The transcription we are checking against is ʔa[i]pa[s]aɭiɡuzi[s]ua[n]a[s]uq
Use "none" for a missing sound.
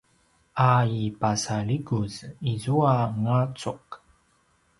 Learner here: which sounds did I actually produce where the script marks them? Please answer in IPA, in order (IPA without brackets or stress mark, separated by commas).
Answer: i, s, z, ŋ, t͡s